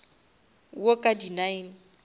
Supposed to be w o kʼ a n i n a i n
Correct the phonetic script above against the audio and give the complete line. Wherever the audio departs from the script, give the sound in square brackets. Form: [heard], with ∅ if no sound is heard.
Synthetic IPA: w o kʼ a [d] i n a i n